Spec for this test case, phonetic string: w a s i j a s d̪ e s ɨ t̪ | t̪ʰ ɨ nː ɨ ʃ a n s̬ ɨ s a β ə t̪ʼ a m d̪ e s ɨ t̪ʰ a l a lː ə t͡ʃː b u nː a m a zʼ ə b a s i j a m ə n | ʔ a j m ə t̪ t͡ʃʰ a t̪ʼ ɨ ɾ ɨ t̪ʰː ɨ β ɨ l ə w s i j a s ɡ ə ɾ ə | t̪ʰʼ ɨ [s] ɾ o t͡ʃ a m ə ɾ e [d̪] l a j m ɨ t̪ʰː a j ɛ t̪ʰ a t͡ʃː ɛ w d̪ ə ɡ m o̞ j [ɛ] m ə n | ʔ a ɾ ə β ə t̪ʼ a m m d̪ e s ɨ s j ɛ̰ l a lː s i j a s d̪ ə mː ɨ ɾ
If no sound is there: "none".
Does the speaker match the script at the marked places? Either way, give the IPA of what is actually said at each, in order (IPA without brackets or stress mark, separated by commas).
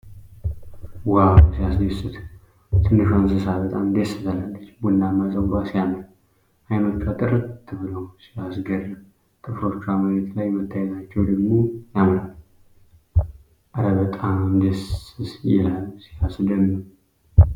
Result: f, t̪, a